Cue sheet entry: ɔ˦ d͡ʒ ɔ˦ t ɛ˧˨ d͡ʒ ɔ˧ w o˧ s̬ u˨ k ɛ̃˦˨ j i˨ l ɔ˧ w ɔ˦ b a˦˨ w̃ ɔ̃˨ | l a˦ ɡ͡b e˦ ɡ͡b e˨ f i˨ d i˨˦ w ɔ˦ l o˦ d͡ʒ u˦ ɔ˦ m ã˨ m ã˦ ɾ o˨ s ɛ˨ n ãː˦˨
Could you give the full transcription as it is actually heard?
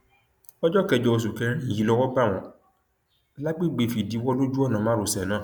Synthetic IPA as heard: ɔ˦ d͡ʒ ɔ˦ k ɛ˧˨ d͡ʒ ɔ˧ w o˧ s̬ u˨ k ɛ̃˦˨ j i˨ l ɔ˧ w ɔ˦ b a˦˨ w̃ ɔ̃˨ | l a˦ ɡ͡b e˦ ɡ͡b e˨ f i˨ d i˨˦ w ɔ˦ l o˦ d͡ʒ u˦ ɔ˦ n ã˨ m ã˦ ɾ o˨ s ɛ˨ n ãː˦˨